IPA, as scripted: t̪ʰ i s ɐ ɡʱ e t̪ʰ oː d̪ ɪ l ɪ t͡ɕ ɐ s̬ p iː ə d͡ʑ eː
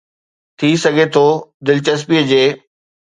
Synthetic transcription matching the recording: t̪ʰ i s ɐ ɡʱ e t̪ʰ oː d̪ ɪ l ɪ t͡ɕ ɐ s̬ p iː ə d͡ʑ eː